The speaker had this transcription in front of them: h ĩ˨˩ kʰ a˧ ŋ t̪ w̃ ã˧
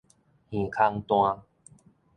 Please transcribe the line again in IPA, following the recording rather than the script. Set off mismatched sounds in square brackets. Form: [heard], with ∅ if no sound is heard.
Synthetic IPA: h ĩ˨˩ kʰ a˧ ŋ t̪ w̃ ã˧